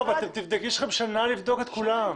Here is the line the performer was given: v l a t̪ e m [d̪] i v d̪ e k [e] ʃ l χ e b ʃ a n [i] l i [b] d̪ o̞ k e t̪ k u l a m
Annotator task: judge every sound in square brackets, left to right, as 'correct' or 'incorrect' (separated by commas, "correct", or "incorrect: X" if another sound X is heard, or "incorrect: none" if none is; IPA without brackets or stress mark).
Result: incorrect: t̪, incorrect: i, incorrect: a, incorrect: v